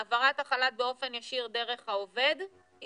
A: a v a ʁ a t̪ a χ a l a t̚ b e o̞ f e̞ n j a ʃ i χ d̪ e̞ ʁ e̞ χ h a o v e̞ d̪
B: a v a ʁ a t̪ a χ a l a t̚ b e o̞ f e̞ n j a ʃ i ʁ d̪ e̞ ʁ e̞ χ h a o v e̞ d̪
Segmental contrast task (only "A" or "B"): B